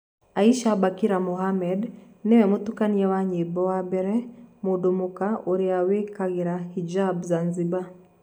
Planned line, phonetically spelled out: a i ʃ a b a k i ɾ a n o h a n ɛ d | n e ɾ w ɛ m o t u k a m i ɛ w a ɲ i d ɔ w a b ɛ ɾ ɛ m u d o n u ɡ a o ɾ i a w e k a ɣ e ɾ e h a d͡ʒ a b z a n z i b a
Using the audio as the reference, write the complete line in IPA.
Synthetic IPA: a i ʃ a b a k i ɾ a m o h a m ɛ d | n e w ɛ m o t u k a n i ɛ w a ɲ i b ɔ w a b ɛ ɾ ɛ m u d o m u k a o ɾ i a w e k a ɣ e ɾ a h i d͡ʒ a b z a n z i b a